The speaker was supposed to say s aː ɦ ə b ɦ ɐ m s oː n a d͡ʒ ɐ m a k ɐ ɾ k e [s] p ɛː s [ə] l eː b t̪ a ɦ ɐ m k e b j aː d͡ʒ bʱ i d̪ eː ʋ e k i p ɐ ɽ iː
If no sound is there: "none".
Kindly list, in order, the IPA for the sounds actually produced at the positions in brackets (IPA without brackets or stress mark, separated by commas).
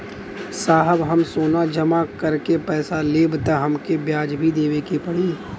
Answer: none, a